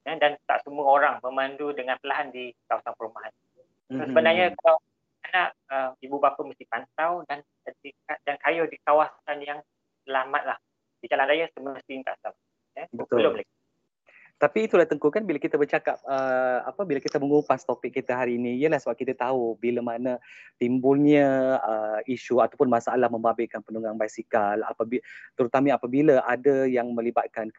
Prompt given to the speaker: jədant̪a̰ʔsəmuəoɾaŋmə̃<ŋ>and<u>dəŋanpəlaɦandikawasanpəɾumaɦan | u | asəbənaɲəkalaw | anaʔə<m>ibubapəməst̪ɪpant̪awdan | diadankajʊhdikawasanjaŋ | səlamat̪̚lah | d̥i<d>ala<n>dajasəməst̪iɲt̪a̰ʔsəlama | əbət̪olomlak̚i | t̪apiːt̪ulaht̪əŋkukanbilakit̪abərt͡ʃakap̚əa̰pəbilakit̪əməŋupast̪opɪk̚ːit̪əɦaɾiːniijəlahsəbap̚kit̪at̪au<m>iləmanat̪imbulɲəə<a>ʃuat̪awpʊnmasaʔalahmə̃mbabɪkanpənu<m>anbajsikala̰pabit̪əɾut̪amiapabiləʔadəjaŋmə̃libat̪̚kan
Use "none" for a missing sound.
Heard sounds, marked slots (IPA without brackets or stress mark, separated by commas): m, u, m, d͡ʒ, n, b, i, ŋ